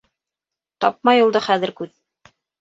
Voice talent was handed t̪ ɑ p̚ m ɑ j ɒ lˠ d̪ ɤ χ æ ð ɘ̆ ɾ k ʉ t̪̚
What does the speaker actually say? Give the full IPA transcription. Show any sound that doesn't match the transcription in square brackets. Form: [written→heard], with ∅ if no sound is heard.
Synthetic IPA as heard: t̪ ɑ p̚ m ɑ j [ɒ→u] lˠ d̪ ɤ χ æ ð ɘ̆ ɾ k ʉ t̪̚